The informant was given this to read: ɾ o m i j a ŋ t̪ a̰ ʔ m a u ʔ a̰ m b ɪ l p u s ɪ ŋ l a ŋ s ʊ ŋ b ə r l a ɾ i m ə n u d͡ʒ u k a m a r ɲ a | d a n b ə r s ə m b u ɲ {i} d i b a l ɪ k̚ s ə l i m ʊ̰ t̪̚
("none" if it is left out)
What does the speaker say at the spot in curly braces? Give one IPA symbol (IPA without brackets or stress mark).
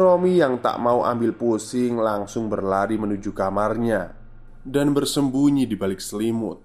i